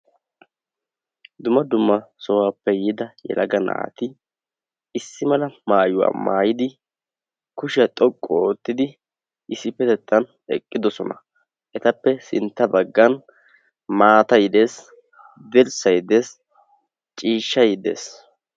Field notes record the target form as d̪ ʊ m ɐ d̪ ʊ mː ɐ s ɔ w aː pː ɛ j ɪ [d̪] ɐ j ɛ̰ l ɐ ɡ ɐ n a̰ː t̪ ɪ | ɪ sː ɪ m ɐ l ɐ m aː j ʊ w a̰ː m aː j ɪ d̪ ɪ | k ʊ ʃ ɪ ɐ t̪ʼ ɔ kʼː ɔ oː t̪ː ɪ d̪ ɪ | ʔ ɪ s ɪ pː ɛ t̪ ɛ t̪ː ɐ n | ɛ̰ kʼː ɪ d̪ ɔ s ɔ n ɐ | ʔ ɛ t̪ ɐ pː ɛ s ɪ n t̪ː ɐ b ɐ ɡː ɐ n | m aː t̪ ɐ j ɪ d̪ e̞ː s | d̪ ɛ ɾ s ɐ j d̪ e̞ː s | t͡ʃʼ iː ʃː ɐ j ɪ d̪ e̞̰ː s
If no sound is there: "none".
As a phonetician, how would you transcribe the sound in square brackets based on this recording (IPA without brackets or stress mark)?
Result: d̪